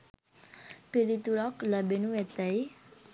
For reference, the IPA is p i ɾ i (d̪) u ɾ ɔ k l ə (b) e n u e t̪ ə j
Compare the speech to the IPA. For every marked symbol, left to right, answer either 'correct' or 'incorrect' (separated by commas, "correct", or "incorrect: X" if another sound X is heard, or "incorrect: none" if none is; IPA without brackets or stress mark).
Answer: incorrect: t̪, correct